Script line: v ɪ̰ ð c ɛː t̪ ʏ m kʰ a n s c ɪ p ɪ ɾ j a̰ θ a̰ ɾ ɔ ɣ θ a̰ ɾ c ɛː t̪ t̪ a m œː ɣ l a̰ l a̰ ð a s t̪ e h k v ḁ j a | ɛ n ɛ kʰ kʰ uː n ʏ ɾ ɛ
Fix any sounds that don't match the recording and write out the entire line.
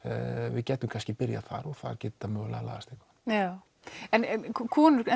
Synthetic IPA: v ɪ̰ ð c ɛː t̪ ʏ m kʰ a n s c ɪ p ɪ ɾ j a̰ θ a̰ ɾ ɔ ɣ θ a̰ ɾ c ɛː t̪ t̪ a m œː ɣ l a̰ l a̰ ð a s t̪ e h k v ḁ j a | ɛ n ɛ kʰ kʰ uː n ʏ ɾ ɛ